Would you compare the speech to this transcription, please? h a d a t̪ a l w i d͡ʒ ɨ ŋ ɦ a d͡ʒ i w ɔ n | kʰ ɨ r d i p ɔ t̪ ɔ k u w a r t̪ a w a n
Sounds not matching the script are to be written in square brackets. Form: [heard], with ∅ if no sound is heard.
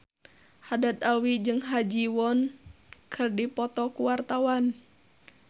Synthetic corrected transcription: h a d a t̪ a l w i d͡ʒ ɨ ŋ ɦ a d͡ʒ i w ɔ n | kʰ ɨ r d i p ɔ t̪ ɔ k u w a r t̪ a w a n